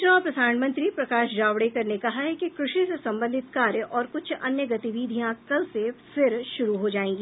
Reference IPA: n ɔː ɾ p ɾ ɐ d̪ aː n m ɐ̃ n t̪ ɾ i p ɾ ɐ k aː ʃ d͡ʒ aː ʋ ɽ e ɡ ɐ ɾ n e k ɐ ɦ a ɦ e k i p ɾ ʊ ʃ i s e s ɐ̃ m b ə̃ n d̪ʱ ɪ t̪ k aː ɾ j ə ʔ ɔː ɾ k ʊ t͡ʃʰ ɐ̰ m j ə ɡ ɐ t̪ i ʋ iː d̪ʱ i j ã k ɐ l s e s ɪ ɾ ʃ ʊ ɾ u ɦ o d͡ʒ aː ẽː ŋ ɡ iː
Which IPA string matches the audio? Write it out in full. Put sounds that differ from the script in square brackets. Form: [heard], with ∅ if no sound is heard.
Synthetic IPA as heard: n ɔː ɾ p ɾ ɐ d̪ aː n m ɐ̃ n t̪ ɾ i p ɾ ɐ k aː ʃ d͡ʒ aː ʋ ɽ e [k] ɐ ɾ n e k ɐ ɦ a ɦ [ɛ] k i [k] ɾ ʊ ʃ i s e s ɐ̃ m b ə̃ n d̪ʱ ɪ t̪ k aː ɾ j ə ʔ ɔː ɾ k ʊ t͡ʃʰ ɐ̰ [n] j ə ɡ ɐ t̪ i ʋ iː d̪ʱ i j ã k ɐ l s e [f] ɪ ɾ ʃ ʊ ɾ u ɦ o d͡ʒ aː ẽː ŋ ɡ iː

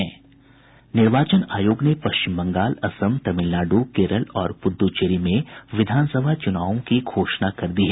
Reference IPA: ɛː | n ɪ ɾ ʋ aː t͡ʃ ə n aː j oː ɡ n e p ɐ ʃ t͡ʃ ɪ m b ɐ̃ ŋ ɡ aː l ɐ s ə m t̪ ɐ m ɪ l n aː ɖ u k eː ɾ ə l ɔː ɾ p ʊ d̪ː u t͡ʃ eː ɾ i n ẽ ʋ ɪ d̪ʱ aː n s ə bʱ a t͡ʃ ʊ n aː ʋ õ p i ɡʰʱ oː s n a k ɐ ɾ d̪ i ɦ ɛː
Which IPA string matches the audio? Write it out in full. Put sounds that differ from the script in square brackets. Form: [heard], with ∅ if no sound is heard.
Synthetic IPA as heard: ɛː | n ɪ ɾ ʋ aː t͡ʃ ə n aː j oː ɡ n e p ɐ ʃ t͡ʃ ɪ m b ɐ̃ ŋ ɡ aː l ɐ s ə m t̪ ɐ m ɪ l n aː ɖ u k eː ɾ ə l ɔː ɾ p ʊ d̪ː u t͡ʃ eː ɾ i [m] ẽ ʋ ɪ d̪ʱ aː n s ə bʱ a t͡ʃ ʊ n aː ʋ õ [k] i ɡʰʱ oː [ʃ] n a k ɐ ɾ d̪ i ɦ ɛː

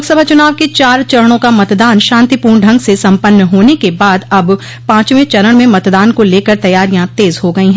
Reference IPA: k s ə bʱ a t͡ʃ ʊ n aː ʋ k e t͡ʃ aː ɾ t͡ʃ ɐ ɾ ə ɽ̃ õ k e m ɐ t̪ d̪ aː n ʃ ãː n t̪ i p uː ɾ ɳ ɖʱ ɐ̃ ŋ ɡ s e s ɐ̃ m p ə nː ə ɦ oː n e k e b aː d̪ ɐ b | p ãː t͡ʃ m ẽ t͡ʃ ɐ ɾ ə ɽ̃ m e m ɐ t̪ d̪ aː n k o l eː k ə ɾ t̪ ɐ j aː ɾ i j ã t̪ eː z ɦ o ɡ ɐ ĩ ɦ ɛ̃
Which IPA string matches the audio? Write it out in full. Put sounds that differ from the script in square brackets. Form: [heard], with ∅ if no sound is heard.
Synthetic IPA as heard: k s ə bʱ a t͡ʃ ʊ n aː ʋ k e t͡ʃ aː ɾ t͡ʃ ɐ ɾ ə ɽ̃ õ k [a] m ɐ t̪ d̪ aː n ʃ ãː n t̪ i p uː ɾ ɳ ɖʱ ɐ̃ ŋ ɡ s e s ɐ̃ m p ə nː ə ɦ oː n e k e b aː d̪ ɐ b | p ãː t͡ʃ m ẽ t͡ʃ ɐ ɾ ə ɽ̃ m [ẽ] m ɐ t̪ d̪ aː n k o l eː k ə ɾ t̪ ɐ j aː ɾ i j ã t̪ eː z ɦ o ɡ ɐ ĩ ɦ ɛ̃

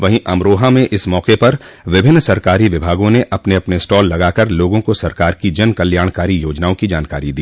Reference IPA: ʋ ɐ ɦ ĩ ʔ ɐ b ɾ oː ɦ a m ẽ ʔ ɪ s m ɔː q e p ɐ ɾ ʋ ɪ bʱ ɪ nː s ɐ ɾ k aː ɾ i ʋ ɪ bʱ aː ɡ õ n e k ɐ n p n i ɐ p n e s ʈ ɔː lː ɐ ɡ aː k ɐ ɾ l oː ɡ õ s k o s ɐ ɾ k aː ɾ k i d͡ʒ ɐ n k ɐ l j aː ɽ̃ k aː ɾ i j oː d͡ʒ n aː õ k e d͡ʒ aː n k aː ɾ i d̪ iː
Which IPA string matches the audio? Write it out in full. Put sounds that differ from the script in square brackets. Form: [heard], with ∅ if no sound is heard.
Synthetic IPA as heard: ʋ ɐ ɦ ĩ ʔ ɐ [m] ɾ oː ɦ a m ẽ ʔ ɪ s m ɔː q e p ɐ ɾ ʋ ɪ bʱ ɪ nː s ɐ ɾ k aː ɾ i ʋ ɪ bʱ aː ɡ õ n e [ʔ] ɐ [∅] p n [e] ɐ p n e s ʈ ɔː lː ɐ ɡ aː k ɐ ɾ l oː ɡ õ [∅] k o s ɐ ɾ k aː ɾ k i d͡ʒ ɐ n k ɐ l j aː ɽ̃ k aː ɾ i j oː d͡ʒ n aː õ k [i] d͡ʒ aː n k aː ɾ i d̪ iː

